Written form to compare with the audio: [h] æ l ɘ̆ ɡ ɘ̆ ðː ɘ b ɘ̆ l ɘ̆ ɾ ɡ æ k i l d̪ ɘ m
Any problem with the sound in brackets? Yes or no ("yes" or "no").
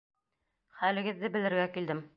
yes